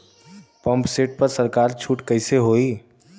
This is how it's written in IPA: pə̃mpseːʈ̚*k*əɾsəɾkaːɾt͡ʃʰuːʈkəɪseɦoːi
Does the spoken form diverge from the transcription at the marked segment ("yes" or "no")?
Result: yes